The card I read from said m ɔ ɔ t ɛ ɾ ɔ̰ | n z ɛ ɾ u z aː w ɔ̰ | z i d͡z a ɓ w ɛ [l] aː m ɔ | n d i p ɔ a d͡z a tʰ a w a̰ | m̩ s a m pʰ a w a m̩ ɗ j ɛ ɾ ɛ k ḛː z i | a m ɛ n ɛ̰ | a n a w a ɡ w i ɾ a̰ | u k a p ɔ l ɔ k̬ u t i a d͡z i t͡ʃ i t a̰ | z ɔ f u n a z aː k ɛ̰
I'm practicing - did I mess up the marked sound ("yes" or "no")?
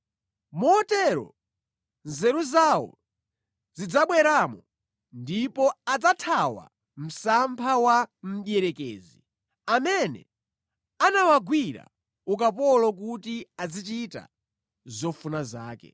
yes